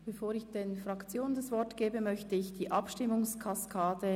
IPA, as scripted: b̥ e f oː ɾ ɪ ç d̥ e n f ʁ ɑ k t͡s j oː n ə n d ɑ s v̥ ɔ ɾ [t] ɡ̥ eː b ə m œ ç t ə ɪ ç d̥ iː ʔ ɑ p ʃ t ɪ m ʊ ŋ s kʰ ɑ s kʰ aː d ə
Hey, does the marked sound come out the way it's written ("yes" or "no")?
yes